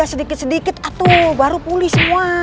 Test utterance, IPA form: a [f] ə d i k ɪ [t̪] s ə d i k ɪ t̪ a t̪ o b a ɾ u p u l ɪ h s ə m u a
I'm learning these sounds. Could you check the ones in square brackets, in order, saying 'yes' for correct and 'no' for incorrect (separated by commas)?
no, yes